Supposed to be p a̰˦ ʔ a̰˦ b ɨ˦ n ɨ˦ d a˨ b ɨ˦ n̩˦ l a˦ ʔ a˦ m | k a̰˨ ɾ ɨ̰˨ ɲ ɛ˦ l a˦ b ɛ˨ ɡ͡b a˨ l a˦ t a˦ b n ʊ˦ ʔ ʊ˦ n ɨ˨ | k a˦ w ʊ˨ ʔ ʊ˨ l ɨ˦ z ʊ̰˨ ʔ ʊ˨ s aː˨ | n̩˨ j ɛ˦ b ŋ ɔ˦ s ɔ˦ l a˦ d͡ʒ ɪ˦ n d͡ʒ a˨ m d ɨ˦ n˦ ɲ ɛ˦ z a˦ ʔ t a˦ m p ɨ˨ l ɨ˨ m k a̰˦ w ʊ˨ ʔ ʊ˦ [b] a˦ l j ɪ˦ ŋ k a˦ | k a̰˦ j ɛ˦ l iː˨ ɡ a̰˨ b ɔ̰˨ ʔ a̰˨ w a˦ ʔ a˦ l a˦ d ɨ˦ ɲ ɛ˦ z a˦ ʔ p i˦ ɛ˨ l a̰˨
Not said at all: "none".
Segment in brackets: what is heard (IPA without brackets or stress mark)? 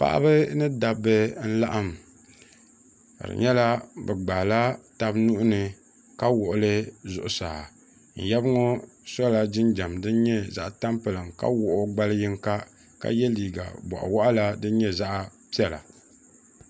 ɡ͡b